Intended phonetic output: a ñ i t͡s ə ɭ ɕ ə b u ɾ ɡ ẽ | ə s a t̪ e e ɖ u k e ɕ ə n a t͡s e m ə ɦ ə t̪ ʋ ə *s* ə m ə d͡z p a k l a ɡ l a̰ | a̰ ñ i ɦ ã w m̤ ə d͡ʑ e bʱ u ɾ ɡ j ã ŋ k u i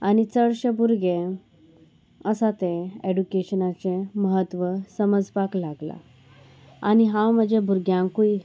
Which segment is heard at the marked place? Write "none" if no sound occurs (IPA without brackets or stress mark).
s